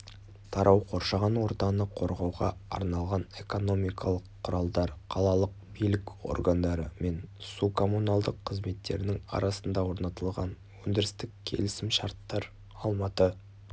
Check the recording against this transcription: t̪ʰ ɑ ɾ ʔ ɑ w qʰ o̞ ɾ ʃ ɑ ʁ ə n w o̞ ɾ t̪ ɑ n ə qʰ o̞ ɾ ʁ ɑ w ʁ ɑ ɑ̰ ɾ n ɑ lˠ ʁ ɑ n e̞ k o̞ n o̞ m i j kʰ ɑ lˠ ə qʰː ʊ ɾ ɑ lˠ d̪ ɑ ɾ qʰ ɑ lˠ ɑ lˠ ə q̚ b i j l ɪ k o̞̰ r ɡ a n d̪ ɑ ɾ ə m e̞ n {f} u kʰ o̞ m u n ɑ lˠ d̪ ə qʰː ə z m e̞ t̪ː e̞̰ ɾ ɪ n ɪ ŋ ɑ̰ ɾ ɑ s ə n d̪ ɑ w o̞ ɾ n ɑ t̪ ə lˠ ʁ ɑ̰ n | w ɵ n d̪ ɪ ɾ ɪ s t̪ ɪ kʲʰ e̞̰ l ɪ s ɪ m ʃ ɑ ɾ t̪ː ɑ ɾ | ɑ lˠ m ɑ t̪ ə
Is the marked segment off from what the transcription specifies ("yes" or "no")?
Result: yes